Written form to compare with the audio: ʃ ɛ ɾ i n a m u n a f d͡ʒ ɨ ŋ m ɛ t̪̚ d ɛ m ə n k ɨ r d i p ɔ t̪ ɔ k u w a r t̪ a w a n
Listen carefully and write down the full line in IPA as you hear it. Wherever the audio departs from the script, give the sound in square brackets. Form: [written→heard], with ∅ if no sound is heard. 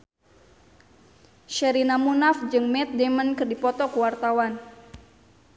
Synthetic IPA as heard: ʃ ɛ ɾ i n a m u n a f d͡ʒ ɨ ŋ m ɛ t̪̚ d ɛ m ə n k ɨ r d i p ɔ t̪ ɔ k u w a r t̪ a w a n

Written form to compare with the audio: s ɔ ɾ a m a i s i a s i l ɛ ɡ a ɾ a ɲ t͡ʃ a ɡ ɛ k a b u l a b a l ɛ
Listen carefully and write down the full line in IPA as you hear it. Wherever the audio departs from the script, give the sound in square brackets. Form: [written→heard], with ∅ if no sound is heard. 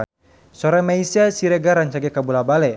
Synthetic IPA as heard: s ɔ ɾ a m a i s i a s i [l→ɾ] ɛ ɡ a ɾ a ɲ t͡ʃ a ɡ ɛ k a b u l a b a l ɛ

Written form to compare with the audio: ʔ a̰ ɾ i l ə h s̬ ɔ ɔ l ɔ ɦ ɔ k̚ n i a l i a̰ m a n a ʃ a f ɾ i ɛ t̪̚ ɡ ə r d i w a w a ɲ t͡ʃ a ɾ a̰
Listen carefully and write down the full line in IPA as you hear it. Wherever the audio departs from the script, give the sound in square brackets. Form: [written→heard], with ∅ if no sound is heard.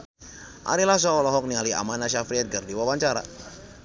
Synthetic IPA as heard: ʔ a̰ ɾ i l [ə→a] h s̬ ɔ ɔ l ɔ ɦ ɔ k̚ n i a l i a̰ m a n a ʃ a f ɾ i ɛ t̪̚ ɡ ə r d i w a w a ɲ t͡ʃ a ɾ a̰

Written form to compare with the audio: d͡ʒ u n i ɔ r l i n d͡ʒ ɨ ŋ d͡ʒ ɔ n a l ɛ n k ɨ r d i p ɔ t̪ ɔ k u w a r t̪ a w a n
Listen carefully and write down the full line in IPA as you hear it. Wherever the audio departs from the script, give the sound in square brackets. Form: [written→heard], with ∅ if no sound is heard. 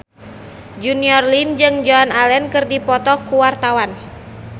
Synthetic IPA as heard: d͡ʒ u n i ɔ r l i n d͡ʒ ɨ ŋ d͡ʒ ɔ n a l ɛ n k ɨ r d i p ɔ t̪ ɔ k u w a r t̪ a w a n

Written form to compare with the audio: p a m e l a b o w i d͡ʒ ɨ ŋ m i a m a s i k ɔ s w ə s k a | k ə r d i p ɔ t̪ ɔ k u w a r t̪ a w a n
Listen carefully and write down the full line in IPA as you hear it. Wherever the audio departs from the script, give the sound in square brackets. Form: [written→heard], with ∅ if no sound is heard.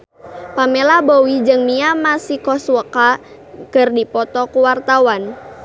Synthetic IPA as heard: p a m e l a b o w i d͡ʒ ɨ ŋ m i a m a s i k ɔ s w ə [s→∅] k a | k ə r d i p ɔ t̪ ɔ k u w a r t̪ a w a n

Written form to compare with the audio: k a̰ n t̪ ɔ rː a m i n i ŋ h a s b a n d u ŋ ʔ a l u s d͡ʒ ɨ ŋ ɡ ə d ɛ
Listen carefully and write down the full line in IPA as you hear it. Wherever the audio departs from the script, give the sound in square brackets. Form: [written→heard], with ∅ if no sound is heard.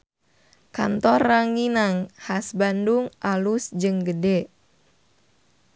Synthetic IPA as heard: k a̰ n t̪ ɔ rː a [m→ŋ] i n [i→a] ŋ h a s b a n d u ŋ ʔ a l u s d͡ʒ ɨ ŋ ɡ ə d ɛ

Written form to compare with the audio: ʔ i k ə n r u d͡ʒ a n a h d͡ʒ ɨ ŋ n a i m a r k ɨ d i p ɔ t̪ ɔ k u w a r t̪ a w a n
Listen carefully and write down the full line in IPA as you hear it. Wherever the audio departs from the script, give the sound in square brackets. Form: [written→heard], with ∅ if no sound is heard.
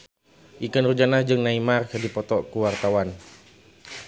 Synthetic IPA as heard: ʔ i k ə n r u d͡ʒ a n a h d͡ʒ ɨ ŋ n a i m a r k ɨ d i p ɔ t̪ ɔ k u w a r t̪ a w a n

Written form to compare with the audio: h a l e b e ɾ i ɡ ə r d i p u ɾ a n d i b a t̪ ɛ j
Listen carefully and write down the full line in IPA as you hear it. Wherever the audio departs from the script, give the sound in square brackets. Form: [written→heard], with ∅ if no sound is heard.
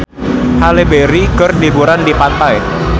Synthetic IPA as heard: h a l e b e ɾ i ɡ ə r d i [p→b] u ɾ a n d i [b→p] a t̪ [ɛ→a] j

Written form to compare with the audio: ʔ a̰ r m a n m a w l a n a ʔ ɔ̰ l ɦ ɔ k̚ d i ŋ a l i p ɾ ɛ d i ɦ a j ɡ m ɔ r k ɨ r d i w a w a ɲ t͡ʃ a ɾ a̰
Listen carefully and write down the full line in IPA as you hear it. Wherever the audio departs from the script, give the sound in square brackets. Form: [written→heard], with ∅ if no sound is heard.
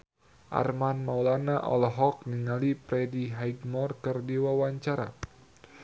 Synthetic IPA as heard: ʔ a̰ r m a n m a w l a n a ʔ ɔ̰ l ɦ ɔ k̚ [d→n] i ŋ a l i p ɾ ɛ d i ɦ a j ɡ m ɔ r k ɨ r d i w a w a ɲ t͡ʃ a ɾ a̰

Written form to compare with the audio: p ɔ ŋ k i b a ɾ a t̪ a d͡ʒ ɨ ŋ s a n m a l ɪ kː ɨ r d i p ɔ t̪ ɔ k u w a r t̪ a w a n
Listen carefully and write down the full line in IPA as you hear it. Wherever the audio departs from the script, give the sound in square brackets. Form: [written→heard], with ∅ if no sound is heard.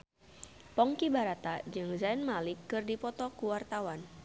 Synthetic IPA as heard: p ɔ ŋ k i b a ɾ a t̪ a d͡ʒ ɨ ŋ [s→z] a n m a l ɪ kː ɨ r d i p ɔ t̪ ɔ k u w a r t̪ a w a n

